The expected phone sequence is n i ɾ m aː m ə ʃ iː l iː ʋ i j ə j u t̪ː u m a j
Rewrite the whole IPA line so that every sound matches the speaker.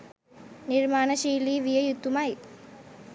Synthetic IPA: n i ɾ m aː n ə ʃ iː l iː ʋ i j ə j u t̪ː u m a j